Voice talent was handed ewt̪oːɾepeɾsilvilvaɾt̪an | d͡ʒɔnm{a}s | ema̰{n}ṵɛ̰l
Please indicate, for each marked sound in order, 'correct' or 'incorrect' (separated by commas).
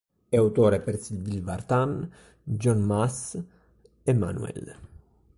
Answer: correct, correct